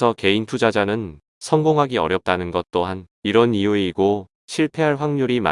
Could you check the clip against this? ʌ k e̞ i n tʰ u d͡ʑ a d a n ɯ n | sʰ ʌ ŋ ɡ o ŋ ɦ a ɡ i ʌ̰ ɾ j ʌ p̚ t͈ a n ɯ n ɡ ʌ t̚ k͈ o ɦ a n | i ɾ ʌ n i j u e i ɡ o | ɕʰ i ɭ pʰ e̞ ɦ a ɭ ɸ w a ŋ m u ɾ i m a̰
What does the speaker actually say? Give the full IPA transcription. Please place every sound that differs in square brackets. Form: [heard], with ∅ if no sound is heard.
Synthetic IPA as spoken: ʌ k e̞ i n tʰ u d͡ʑ a [d͡ʑ] a n ɯ n | sʰ ʌ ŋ ɡ o ŋ ɦ a ɡ i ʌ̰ ɾ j ʌ p̚ t͈ a n ɯ n ɡ ʌ t̚ [t͈] o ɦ a n | i ɾ ʌ n i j u e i ɡ o | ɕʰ i ɭ pʰ e̞ ɦ a ɭ ɸ w a ŋ [ɲ] u ɾ i m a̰